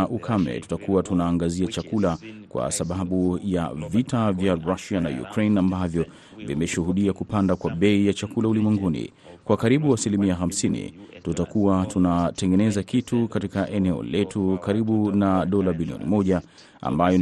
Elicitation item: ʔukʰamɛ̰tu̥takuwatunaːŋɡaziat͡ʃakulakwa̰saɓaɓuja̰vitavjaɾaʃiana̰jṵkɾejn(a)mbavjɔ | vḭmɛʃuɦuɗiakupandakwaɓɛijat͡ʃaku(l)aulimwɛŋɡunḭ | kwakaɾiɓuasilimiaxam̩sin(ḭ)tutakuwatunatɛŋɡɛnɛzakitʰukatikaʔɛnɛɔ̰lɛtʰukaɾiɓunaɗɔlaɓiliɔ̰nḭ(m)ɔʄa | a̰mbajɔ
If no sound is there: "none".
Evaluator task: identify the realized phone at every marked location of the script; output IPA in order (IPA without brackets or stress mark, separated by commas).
a, l, ḭ, m